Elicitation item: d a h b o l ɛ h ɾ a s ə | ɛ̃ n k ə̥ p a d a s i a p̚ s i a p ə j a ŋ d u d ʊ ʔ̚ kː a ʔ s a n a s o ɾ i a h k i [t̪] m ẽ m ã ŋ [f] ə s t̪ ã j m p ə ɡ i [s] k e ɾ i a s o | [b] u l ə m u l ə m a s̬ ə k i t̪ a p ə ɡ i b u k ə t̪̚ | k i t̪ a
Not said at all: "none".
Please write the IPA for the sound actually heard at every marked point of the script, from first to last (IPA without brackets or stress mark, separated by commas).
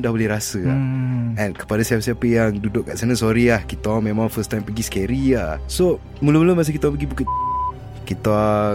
t̪, f, s, m